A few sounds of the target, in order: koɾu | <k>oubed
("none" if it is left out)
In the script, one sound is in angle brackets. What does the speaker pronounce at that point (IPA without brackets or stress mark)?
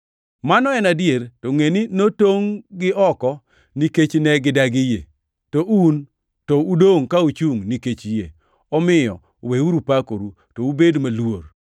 t